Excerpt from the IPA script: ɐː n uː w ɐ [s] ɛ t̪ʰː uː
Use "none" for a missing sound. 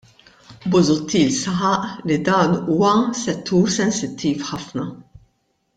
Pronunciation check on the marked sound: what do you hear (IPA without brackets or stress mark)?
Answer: s